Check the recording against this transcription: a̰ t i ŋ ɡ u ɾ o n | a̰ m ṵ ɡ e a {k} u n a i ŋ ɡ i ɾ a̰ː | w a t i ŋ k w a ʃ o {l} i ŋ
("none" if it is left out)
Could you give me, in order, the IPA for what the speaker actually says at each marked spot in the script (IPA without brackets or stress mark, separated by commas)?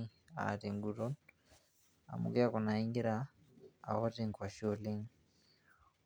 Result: k, l